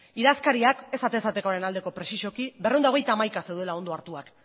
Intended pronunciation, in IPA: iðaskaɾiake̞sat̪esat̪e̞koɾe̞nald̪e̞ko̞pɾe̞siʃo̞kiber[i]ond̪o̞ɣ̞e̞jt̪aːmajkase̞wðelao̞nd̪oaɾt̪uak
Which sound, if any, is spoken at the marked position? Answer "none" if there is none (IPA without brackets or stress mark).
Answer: e